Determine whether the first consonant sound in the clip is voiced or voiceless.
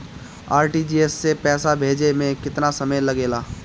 voiced